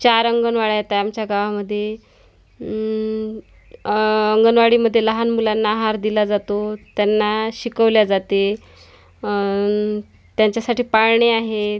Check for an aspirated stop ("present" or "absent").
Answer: absent